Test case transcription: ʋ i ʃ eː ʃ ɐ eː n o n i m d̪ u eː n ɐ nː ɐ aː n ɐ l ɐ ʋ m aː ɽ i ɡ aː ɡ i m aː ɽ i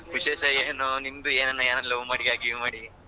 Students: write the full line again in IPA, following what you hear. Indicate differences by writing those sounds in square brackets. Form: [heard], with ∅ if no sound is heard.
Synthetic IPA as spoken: ʋ i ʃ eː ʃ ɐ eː n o n i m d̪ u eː n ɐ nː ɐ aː n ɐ l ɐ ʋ m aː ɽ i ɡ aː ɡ i m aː ɽ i

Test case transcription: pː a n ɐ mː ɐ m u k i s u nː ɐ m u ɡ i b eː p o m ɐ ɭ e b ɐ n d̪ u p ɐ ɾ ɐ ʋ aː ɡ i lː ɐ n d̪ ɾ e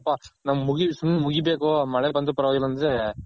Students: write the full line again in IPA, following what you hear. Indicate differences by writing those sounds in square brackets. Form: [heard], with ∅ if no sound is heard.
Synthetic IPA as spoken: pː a n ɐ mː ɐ m u [ɡ] i s u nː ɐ m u ɡ i b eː [k] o m ɐ ɭ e b ɐ n d̪ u p ɐ ɾ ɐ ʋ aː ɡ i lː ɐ n d̪ ɾ e

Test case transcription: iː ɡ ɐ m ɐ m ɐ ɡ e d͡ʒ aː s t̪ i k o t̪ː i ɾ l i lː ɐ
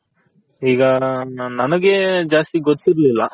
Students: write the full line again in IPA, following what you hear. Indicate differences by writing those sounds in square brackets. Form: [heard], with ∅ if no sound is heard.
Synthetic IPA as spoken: iː ɡ ɐ [n] ɐ [n] ɐ ɡ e d͡ʒ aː s t̪ i [ɡ] o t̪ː i ɾ l i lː ɐ

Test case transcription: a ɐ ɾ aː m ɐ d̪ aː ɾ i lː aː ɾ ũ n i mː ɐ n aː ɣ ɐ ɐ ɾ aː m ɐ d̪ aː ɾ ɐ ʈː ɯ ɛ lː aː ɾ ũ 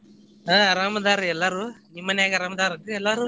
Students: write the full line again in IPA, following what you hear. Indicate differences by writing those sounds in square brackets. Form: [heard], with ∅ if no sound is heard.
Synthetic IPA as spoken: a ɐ ɾ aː m ɐ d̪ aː ɾ [ɛ] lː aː ɾ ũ n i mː ɐ n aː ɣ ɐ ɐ ɾ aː m ɐ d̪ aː ɾ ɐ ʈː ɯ ɛ lː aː ɾ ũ

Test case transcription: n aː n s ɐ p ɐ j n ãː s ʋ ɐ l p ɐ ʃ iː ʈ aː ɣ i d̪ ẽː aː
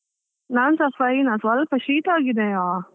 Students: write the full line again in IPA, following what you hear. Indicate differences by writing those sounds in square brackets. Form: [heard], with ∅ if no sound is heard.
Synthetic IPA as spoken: n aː n s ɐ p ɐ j n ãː s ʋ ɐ l p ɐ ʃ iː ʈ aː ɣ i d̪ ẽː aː

